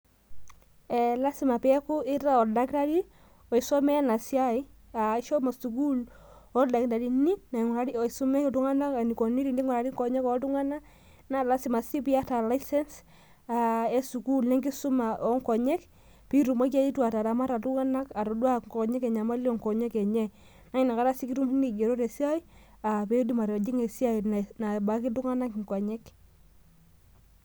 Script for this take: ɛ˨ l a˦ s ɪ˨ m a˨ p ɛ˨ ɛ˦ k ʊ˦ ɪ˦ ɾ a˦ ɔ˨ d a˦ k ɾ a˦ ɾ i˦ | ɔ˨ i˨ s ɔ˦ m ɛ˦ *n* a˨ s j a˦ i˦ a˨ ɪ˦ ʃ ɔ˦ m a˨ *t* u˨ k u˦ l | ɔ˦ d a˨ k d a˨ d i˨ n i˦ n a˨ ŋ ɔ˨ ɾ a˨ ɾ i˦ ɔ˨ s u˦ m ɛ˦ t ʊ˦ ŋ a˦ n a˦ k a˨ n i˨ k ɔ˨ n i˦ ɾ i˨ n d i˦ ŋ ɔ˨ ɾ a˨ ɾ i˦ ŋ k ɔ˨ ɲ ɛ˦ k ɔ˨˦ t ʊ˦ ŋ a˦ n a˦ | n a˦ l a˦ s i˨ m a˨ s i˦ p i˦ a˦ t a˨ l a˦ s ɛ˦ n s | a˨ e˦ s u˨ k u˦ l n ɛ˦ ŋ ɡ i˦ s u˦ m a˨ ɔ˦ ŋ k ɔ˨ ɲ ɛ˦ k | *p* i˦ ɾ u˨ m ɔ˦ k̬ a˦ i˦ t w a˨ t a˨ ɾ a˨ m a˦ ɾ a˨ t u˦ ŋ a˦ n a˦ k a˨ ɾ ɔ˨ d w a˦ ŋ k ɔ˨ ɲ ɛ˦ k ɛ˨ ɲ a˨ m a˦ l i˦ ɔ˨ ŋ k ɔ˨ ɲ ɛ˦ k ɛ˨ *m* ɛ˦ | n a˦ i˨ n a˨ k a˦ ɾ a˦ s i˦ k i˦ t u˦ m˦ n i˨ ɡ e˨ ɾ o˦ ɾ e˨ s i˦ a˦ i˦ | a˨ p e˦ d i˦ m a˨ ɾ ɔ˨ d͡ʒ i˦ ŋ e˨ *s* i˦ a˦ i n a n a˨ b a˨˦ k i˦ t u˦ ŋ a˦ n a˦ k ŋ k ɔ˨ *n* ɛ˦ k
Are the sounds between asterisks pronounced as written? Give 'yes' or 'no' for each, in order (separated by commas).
yes, no, yes, no, yes, no